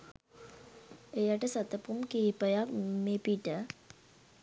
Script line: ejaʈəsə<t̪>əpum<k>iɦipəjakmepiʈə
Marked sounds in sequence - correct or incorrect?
correct, correct

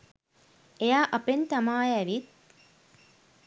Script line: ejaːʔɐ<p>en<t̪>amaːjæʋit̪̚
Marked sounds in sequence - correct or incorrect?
correct, correct

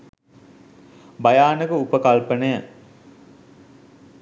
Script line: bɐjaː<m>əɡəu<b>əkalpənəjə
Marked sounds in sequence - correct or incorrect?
incorrect: n, incorrect: p

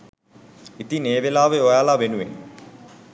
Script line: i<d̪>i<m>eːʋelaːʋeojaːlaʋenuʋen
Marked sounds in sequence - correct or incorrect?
incorrect: t̪, incorrect: n

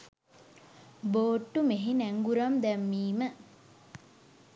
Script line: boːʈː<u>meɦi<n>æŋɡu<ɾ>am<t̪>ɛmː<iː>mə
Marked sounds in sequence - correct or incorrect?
correct, correct, correct, incorrect: d̪, correct

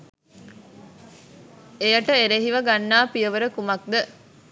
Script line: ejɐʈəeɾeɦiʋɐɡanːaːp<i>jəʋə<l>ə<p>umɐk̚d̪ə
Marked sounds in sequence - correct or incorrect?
correct, incorrect: ɾ, incorrect: k

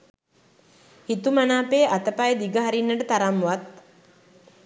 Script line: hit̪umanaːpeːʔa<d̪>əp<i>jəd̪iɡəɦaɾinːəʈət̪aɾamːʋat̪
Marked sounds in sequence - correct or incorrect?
incorrect: t̪, incorrect: a

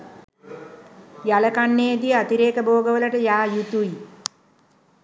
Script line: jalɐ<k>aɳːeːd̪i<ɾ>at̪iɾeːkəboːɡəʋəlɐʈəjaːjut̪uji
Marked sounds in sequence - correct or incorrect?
correct, incorrect: none

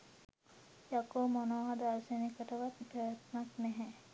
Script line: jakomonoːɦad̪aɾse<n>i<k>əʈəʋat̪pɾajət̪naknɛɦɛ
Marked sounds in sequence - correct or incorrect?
correct, correct

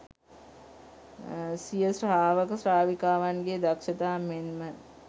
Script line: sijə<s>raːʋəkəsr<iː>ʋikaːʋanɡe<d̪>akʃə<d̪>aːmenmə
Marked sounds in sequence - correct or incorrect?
correct, incorrect: aː, correct, incorrect: t̪

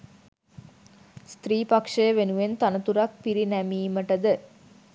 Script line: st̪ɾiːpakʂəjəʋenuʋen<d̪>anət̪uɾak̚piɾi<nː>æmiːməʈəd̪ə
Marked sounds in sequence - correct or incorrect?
incorrect: t̪, incorrect: n

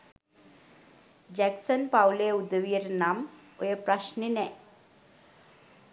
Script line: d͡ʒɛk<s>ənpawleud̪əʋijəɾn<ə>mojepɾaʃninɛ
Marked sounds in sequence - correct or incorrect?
correct, incorrect: a

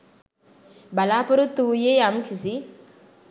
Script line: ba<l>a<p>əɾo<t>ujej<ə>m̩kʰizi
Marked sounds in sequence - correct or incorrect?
correct, correct, correct, incorrect: a

